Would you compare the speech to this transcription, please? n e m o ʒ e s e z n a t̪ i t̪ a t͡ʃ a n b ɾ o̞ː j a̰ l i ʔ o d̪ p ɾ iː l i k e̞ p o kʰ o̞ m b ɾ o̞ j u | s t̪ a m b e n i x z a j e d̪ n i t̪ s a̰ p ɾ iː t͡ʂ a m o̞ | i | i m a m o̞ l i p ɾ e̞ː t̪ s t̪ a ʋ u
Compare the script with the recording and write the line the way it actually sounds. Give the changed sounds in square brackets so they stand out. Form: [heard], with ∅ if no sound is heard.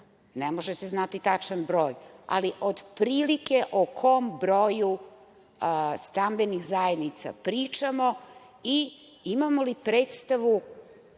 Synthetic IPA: n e m o ʒ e s e z n a t̪ i t̪ a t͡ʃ a n b ɾ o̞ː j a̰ l i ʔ o d̪ p ɾ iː l i k e̞ [ʔ] o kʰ o̞ m b ɾ o̞ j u | s t̪ a m b e n i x z a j e d̪ n i t̪ s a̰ p ɾ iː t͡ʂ a m o̞ | i | i m a m o̞ l i p ɾ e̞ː t̪ s t̪ a ʋ u